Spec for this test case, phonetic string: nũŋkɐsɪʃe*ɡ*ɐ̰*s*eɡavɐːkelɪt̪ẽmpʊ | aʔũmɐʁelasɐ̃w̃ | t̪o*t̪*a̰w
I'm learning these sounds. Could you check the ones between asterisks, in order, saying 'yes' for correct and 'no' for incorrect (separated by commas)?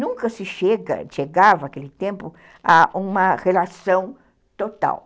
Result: yes, no, yes